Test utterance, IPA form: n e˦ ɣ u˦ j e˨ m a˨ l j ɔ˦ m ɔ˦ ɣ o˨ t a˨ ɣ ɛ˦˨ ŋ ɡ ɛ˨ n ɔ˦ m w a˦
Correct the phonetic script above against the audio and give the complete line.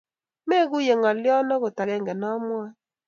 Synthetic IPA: m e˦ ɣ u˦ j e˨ ŋ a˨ l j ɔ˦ n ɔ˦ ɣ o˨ t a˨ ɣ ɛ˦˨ ŋ ɡ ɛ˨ n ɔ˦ m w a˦